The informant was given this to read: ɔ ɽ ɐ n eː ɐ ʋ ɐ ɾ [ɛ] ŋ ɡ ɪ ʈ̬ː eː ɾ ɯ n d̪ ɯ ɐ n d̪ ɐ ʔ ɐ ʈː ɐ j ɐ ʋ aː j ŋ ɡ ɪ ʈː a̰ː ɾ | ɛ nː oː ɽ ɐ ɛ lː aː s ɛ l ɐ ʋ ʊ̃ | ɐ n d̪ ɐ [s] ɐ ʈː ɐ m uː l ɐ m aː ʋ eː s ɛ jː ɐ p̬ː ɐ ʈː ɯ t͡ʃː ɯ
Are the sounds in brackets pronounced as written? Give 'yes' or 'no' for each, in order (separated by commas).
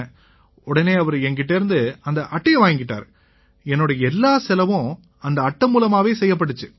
yes, no